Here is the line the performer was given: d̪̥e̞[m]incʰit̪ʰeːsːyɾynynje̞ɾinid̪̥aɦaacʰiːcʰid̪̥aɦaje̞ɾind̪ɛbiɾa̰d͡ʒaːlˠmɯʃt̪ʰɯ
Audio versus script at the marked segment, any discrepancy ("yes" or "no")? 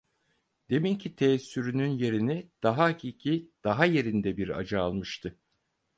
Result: no